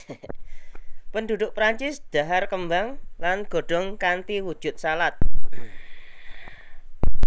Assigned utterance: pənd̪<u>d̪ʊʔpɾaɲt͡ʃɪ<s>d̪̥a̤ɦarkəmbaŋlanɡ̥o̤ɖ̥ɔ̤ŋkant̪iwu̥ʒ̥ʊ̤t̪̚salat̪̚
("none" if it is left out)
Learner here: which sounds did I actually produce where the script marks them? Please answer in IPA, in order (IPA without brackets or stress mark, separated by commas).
u, s